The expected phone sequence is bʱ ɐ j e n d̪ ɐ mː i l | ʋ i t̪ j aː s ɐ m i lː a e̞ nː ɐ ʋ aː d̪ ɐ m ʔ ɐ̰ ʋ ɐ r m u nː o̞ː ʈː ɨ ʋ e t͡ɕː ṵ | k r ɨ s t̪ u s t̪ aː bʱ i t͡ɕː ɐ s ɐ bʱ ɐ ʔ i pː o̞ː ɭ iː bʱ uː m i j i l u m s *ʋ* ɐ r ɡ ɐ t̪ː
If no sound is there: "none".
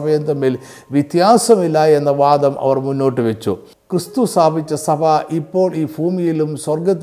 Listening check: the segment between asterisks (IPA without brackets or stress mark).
w